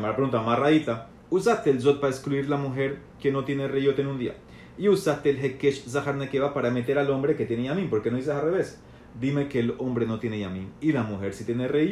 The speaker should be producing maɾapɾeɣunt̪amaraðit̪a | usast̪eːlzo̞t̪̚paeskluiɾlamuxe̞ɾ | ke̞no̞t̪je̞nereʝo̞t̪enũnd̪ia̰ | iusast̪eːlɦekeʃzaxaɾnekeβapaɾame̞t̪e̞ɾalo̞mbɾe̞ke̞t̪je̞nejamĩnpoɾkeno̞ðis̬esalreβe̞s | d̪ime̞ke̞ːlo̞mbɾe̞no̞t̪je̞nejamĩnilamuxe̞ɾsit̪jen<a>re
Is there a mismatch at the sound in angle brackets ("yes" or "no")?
yes